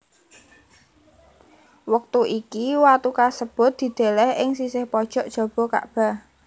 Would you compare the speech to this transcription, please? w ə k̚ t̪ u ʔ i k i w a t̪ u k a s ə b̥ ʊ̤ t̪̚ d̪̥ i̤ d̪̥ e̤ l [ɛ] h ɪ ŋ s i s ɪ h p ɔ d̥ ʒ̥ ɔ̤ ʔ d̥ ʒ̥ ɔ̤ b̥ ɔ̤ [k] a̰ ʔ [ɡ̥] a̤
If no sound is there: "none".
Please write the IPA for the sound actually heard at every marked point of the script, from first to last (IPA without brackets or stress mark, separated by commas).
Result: ɛ, k, b̥